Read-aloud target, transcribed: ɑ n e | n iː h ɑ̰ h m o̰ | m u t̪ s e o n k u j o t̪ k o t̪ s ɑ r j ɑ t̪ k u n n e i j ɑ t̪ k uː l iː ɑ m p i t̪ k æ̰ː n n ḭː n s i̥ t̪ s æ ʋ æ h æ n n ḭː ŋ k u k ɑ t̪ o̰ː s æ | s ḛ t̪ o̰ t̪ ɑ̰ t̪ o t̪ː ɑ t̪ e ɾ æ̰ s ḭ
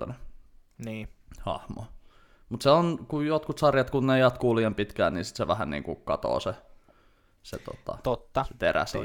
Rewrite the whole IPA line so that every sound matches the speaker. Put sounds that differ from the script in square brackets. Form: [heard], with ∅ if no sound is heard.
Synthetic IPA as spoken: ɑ n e | n iː h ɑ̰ h m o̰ | m u t̪ s e o n k u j o t̪ k [u] t̪ s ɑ r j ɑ t̪ k u n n e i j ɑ t̪ k uː l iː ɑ m p i t̪ k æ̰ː n n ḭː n s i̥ t̪ s [e] ʋ æ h æ n n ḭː ŋ k u k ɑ t̪ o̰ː s [e] | s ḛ t̪ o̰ t̪ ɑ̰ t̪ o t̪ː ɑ t̪ e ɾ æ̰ s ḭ